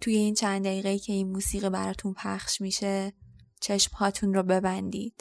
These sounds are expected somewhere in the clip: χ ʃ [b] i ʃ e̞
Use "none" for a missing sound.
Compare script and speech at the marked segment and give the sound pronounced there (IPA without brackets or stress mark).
m